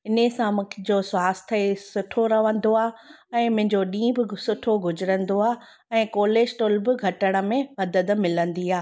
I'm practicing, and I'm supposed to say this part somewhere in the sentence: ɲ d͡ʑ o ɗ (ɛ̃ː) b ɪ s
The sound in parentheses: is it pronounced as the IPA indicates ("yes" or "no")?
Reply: no